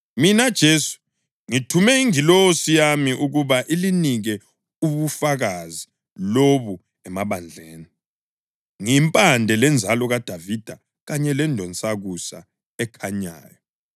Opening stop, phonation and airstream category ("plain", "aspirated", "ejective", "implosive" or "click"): plain